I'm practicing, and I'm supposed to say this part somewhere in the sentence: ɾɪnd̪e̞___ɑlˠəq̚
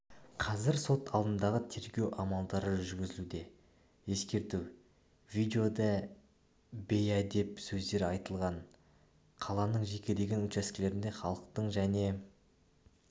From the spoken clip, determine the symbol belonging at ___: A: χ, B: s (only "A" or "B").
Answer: A